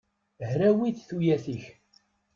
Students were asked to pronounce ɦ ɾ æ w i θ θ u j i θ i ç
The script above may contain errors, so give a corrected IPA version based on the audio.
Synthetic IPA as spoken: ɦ ɾ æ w i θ θ u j æ θ i ç